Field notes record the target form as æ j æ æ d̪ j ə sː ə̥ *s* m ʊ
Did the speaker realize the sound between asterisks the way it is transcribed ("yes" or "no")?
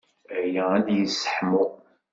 no